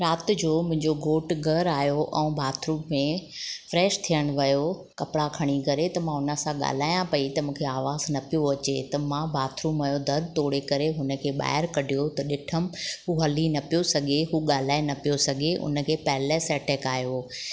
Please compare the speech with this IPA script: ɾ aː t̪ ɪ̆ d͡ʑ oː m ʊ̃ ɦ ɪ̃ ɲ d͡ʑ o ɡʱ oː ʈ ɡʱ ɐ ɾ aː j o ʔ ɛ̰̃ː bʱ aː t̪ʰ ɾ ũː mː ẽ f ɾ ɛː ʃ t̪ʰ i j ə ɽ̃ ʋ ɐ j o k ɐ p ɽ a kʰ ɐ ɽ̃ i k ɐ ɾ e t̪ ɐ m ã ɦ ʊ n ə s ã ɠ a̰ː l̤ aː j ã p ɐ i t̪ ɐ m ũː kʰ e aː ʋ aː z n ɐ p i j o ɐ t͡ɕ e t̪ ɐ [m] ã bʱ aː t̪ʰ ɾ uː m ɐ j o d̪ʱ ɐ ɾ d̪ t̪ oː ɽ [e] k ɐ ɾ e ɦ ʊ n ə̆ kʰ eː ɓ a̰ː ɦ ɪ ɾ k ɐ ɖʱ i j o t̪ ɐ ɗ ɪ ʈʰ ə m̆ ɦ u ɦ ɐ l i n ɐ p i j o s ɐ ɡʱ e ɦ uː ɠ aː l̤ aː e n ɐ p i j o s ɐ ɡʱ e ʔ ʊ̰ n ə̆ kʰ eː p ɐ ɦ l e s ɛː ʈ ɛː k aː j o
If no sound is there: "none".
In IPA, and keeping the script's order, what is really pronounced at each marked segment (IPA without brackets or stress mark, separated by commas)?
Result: m, e